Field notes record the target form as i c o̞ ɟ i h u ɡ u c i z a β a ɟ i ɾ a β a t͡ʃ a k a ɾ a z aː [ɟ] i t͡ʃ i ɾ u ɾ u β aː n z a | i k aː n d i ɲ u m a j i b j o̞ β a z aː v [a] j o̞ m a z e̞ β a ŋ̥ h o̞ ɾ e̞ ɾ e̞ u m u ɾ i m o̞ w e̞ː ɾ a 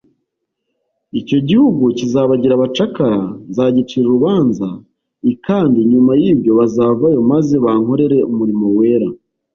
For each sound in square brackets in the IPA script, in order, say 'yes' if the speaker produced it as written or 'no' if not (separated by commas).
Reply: yes, yes